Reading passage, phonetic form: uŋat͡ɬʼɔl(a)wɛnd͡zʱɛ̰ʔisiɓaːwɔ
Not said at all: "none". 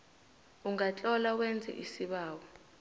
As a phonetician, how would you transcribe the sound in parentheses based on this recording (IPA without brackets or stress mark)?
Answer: a